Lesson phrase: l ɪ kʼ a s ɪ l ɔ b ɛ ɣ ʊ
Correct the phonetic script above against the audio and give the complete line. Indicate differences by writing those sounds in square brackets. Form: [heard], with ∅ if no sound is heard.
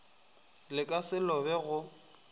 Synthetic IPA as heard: l ɪ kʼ a s ɪ l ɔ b ɛ ɣ ʊ